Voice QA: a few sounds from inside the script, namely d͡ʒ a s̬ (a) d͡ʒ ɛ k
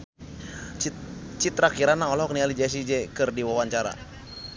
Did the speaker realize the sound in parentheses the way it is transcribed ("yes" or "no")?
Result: no